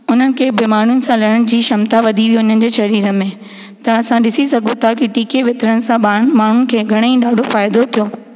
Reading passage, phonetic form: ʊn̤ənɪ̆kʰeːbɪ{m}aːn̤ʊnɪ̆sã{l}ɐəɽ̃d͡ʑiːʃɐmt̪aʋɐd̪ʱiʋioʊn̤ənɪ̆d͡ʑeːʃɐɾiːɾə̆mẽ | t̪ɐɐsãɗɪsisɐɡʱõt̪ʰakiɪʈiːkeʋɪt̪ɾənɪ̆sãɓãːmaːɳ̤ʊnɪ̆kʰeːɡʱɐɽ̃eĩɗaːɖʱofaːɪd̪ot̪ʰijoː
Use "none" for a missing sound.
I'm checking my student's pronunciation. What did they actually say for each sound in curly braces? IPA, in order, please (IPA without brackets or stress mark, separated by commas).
m, l